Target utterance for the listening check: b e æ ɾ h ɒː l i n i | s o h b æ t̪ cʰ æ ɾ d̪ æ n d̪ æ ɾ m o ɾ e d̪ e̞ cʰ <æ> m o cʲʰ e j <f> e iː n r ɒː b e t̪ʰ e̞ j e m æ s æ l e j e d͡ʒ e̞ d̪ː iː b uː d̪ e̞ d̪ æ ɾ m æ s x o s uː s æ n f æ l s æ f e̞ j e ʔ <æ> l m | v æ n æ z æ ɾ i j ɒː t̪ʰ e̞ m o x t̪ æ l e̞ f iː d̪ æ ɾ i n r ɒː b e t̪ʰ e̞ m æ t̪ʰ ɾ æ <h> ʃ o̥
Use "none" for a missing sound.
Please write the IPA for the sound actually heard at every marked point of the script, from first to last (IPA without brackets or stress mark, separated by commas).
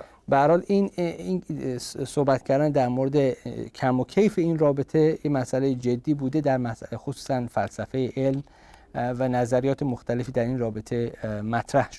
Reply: æ, f, e, h